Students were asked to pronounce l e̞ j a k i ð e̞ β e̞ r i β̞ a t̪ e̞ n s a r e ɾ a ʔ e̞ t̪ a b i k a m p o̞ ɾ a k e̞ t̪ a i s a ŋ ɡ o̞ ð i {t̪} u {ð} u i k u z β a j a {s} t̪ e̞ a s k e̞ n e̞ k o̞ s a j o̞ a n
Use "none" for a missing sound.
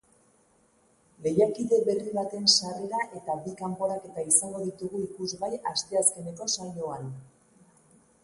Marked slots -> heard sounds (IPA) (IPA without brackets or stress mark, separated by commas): t̪, ɣ, s